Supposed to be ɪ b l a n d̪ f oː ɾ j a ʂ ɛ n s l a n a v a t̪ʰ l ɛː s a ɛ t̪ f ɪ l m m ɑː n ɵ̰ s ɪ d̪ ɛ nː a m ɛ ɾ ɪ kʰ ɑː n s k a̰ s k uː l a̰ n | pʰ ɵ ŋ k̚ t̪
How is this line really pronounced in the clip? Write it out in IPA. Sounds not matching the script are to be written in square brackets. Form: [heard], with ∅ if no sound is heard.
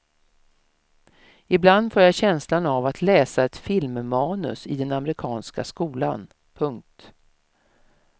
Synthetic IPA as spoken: ɪ b l a n d̪ f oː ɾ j a [ɕ] ɛ n s l a n a v a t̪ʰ l ɛː s a ɛ t̪ f ɪ l m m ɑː n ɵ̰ s ɪ d̪ ɛ [n] a m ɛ ɾ ɪ kʰ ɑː n s k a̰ s k uː l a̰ n | pʰ ɵ ŋ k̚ t̪